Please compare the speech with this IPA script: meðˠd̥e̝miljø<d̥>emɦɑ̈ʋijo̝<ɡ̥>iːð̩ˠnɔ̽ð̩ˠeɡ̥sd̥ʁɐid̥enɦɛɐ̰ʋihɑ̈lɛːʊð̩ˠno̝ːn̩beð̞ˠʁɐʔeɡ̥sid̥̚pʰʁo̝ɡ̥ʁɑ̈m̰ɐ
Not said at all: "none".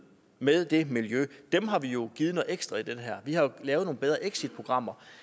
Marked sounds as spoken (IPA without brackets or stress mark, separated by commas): d̥, ɡ̥